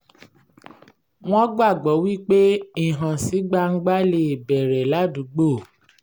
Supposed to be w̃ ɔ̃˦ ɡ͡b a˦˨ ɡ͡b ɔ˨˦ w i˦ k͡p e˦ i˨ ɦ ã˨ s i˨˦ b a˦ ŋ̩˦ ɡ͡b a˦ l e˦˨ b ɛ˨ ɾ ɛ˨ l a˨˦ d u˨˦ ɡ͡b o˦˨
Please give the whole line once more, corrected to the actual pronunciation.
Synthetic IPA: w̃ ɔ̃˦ ɡ͡b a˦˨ ɡ͡b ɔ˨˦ w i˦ k͡p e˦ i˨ ɦ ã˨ s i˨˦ ɡ͡b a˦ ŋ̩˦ ɡ͡b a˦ l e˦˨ b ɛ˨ ɾ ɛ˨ l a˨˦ d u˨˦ ɡ͡b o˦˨